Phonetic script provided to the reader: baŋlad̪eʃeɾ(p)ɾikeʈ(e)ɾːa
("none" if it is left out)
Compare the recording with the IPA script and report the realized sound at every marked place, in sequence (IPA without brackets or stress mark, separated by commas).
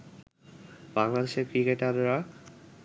k, a